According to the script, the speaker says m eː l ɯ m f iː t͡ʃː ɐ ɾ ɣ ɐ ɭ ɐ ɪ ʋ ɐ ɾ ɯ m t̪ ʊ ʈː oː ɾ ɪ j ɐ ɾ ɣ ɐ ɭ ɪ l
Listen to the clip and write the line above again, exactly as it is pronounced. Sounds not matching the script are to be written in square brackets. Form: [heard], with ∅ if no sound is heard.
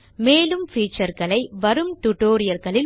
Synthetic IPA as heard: m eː l ɯ m f iː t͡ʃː ɐ ɾ ɣ ɐ ɭ ɐ ɪ ʋ ɐ ɾ ɯ m t̪ ʊ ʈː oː ɾ ɪ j ɐ ɾ ɣ ɐ ɭ ɪ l